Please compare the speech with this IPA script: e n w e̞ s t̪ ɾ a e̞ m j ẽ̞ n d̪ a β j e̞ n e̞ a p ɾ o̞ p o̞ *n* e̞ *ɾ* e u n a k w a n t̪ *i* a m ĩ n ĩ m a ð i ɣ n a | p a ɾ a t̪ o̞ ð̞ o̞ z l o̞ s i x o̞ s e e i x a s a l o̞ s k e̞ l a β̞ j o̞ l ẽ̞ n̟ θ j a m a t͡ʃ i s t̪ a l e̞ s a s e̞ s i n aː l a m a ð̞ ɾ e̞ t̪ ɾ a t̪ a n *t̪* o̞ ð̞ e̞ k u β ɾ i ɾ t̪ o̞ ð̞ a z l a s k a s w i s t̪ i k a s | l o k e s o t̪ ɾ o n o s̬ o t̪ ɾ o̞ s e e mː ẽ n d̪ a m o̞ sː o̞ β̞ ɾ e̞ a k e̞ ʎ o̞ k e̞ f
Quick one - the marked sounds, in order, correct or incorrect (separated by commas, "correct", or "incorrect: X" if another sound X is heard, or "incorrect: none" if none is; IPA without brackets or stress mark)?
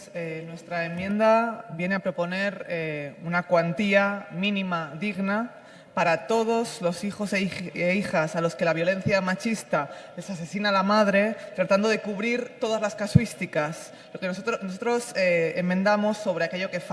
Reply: correct, correct, correct, incorrect: d̪